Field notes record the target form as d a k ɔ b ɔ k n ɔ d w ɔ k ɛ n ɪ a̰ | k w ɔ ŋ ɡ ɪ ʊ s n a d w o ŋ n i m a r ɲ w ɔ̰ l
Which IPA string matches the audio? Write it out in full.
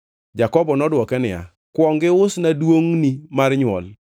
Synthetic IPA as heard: d͡ʒ a k ɔ b ɔ n ɔ d w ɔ k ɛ n ɪ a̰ | k w ɔ ŋ ɡ ɪ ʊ s n a d w o ŋ n i m a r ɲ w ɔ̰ l